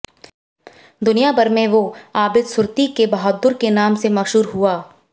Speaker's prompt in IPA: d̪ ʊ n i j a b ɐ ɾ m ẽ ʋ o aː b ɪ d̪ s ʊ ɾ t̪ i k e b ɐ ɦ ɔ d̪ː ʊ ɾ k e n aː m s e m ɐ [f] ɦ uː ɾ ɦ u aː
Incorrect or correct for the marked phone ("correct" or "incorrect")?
incorrect